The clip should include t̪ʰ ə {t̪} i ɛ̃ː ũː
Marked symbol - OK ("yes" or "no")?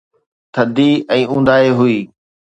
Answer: no